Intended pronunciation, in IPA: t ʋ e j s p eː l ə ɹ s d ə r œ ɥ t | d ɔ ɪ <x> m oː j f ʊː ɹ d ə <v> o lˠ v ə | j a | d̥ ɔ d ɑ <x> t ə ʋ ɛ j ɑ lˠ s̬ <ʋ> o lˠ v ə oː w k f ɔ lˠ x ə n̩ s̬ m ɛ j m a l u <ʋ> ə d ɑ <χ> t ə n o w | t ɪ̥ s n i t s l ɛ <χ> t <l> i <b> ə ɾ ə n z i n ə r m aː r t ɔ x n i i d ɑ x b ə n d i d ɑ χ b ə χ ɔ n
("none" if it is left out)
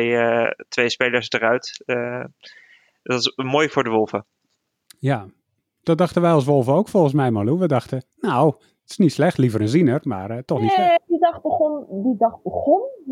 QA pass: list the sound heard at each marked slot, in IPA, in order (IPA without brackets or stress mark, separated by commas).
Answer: s, ʋ, x, ʋ, ʋ, x, x, l, v